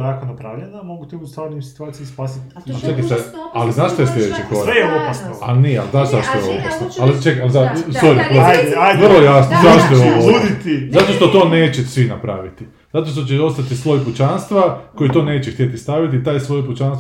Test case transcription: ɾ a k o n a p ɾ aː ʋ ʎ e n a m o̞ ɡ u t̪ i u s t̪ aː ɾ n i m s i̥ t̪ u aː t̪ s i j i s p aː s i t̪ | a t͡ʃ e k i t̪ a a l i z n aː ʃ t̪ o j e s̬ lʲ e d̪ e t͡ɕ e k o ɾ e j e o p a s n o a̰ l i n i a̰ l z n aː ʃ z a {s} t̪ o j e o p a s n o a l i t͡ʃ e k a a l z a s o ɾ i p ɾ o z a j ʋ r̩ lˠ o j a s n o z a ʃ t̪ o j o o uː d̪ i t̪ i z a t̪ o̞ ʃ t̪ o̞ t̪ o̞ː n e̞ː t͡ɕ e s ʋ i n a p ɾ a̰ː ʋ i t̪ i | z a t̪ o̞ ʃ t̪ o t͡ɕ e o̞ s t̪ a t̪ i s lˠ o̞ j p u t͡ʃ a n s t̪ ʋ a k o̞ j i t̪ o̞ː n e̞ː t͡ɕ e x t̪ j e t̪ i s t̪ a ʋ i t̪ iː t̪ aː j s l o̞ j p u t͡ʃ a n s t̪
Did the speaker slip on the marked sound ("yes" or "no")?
yes